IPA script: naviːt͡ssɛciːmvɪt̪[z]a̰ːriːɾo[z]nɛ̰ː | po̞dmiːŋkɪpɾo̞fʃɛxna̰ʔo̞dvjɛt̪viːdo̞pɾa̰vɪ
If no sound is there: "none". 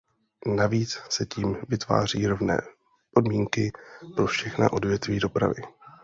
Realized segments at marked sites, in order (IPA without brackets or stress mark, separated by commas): v, v